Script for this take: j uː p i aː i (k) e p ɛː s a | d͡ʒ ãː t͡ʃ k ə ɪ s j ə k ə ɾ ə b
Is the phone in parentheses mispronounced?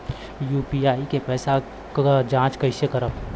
no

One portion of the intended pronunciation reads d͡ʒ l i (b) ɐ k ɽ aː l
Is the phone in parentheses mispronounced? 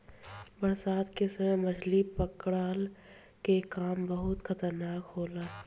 yes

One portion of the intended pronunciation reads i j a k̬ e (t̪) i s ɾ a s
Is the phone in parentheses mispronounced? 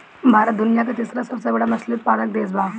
no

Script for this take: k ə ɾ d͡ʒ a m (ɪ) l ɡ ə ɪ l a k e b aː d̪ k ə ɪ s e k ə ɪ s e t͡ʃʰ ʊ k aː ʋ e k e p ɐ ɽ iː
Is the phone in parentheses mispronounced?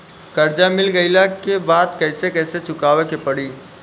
no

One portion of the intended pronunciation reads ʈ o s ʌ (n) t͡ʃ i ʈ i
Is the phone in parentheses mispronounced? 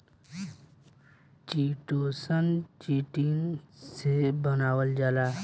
no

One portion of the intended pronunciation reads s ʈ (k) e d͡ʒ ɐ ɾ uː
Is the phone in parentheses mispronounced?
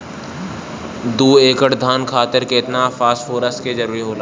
no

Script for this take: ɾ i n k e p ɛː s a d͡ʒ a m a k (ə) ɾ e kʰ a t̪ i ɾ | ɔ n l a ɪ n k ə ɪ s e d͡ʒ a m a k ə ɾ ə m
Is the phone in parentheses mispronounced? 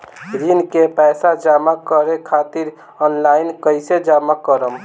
no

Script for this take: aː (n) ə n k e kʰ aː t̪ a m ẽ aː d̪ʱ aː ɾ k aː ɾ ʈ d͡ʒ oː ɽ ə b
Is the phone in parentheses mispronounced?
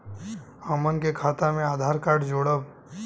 yes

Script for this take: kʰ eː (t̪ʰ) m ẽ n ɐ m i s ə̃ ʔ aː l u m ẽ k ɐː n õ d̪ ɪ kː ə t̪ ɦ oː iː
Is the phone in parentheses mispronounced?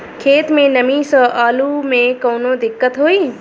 yes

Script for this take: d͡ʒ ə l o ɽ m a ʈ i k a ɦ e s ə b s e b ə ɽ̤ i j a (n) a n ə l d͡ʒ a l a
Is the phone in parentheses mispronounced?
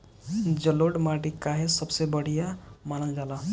yes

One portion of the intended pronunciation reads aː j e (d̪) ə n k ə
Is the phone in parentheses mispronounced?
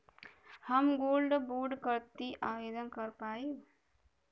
no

